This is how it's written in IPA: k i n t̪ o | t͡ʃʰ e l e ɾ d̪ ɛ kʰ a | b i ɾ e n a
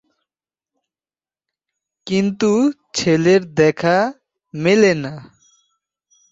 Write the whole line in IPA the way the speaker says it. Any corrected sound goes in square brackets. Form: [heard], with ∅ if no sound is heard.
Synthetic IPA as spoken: k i n t̪ [u] | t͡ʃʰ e l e ɾ d̪ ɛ kʰ a | [m] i [l] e n a